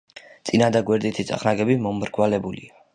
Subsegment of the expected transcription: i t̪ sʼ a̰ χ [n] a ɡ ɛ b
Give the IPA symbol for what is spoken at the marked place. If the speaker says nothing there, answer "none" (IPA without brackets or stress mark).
n